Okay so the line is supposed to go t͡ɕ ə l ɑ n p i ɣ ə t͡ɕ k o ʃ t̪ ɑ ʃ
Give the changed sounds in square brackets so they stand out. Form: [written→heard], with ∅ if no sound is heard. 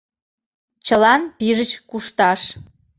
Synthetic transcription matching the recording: t͡ɕ ə l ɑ n p i [ɣ→ʒ] ə t͡ɕ k [o→u] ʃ t̪ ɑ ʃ